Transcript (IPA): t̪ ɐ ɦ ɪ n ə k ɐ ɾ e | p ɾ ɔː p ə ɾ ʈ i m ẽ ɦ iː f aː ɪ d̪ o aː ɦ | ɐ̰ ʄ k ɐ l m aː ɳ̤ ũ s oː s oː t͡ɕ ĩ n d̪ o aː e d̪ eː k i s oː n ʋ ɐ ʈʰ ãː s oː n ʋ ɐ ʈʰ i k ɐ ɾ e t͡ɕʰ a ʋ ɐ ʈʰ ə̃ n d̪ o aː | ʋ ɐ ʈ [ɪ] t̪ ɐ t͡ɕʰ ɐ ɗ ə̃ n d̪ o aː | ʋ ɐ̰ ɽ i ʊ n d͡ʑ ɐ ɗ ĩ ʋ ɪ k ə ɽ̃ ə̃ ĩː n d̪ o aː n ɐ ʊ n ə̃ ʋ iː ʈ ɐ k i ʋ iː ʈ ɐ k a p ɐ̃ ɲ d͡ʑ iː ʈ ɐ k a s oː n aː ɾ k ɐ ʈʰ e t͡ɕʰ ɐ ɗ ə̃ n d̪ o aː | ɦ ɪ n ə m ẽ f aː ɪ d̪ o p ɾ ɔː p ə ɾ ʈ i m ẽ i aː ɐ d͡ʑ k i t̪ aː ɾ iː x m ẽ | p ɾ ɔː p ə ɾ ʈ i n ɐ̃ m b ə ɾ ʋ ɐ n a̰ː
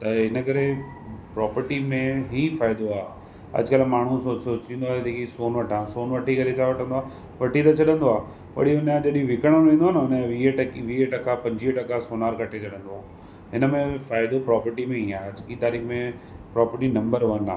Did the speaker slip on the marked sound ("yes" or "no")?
yes